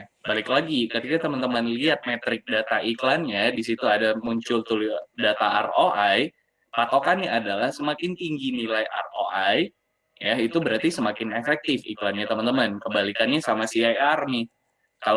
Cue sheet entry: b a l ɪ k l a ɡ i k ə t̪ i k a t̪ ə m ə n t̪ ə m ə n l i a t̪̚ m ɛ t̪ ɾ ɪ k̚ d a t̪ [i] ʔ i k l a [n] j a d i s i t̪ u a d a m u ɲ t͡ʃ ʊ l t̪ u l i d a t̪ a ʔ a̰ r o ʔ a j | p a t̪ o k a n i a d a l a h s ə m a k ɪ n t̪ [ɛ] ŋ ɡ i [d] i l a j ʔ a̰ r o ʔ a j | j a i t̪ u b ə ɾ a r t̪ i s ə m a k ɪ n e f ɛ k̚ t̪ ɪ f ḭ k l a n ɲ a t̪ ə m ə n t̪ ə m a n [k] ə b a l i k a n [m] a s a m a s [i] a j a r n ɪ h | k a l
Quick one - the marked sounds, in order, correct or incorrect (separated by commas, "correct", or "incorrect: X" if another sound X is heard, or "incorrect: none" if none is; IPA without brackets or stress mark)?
incorrect: a, correct, incorrect: i, incorrect: n, correct, incorrect: ɲ, correct